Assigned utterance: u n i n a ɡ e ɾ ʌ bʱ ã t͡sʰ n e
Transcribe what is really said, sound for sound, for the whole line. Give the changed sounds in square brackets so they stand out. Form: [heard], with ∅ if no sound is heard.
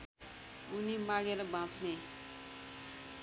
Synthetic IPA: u n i [m] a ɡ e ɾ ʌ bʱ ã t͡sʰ n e